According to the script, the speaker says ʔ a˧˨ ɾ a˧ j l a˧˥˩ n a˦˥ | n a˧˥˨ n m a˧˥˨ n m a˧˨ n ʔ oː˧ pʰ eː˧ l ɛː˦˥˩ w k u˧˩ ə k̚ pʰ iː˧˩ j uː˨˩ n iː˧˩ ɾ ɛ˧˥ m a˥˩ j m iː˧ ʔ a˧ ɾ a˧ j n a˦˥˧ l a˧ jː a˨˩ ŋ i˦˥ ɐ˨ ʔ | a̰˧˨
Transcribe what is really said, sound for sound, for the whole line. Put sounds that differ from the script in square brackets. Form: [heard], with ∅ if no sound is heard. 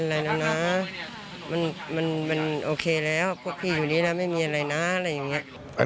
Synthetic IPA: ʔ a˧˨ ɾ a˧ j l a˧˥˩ n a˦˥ | [m] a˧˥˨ n m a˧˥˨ n m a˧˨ n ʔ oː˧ [kʰ] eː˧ l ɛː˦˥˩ w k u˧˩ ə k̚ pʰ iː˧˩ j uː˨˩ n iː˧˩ [l] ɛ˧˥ m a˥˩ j m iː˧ ʔ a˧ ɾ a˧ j n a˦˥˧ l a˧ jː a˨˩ ŋ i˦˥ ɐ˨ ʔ | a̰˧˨